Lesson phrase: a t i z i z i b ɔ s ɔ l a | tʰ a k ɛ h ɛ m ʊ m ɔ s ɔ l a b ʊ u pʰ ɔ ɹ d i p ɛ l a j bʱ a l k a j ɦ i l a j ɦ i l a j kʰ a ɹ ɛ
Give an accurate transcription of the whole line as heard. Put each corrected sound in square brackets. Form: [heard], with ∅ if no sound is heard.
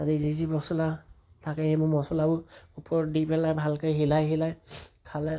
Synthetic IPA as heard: a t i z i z i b ɔ s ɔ l a | tʰ a k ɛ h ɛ m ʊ m ɔ s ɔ l a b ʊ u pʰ ɔ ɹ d i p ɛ l a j bʱ a l k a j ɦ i l a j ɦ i l a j kʰ a [l] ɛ

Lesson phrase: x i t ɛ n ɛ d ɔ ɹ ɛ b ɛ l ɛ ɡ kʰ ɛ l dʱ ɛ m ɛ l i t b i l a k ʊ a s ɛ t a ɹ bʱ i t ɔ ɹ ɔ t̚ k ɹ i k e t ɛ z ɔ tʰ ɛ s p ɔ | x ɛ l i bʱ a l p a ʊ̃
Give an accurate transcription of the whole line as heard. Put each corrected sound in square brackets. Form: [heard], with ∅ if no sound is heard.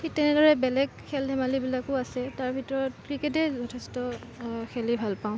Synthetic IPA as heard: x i t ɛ n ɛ d ɔ ɹ ɛ b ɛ l ɛ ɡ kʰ ɛ l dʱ ɛ m [a] l i [∅] b i l a k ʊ a s ɛ t a ɹ bʱ i t ɔ ɹ ɔ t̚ k ɹ i k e t ɛ z ɔ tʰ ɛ s [t] ɔ | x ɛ l i bʱ a l p a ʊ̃

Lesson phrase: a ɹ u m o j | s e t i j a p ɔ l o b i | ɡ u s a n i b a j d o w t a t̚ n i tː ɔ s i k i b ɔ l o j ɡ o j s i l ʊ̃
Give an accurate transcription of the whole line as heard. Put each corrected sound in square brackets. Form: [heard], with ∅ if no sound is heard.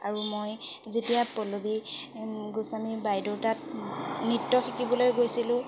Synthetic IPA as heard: a ɹ u m o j | [z] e t i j a p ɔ l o b i | ɡ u s a [m] i b a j d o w t a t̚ n i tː ɔ [x] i k i b ɔ l o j ɡ o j s i l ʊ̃

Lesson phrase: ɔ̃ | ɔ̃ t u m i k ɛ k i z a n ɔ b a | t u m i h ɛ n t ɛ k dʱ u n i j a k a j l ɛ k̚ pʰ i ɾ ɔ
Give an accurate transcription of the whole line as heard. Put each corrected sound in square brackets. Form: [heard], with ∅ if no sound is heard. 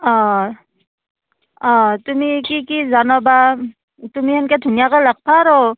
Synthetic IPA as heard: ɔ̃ | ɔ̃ t u m i k [i] k i z a n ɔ b a | t u m i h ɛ n [k] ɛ [∅] dʱ u n i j a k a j l [a] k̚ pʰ [a] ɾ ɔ

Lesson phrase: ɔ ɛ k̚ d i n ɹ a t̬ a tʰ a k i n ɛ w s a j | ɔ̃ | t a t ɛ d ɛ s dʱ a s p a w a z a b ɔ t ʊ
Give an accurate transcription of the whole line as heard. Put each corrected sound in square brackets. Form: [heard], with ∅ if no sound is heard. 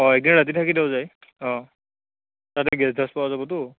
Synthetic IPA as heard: ɔ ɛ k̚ d i n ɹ a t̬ [i] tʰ a k i [d] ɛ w [z] a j | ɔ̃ | t a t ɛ [ɡ] ɛ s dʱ a s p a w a z a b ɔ t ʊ

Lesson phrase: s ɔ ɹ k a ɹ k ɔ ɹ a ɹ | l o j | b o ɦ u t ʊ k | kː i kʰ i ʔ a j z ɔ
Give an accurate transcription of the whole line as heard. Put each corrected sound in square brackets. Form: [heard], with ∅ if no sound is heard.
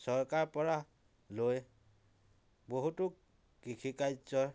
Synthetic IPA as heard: s ɔ ɹ k a ɹ [p] ɔ ɹ a [∅] | l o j | b o ɦ u t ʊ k | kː i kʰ i [k] a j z ɔ

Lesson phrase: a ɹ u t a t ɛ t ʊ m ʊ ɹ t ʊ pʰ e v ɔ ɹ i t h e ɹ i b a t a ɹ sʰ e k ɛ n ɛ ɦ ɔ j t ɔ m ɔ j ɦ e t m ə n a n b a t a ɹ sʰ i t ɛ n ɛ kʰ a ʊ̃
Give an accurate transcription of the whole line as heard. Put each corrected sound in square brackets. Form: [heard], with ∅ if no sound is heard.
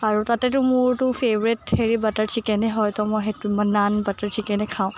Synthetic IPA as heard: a ɹ u t a t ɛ t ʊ m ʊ ɹ t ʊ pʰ e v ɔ ɹ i t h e ɹ i b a t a ɹ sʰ [i] k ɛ n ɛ ɦ ɔ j t ɔ m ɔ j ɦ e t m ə n a n b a t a ɹ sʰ i [k] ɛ n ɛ kʰ a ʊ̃

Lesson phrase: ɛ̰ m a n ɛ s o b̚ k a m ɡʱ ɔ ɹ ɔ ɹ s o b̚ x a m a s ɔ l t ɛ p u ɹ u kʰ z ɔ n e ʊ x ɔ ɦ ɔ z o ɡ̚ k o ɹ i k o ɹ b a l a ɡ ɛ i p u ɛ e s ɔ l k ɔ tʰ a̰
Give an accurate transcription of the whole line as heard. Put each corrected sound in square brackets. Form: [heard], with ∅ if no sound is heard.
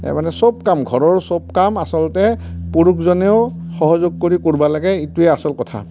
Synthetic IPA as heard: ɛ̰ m a n ɛ s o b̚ k a m ɡʱ ɔ ɹ ɔ ɹ s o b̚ [k] a m a s ɔ l t ɛ p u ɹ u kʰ z ɔ n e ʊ x ɔ ɦ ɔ z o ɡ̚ k o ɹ i k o ɹ b a l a ɡ ɛ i [t] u ɛ [a] s ɔ l k ɔ tʰ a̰

